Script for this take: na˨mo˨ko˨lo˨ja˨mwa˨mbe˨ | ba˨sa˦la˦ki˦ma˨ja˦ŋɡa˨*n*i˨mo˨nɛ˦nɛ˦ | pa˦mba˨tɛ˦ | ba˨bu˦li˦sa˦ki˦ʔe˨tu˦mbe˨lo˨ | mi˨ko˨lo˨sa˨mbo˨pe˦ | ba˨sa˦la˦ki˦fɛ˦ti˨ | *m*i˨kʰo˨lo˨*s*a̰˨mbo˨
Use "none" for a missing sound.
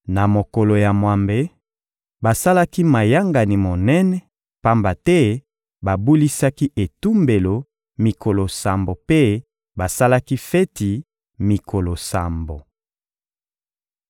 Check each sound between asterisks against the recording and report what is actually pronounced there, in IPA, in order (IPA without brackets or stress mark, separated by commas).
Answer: n, m, s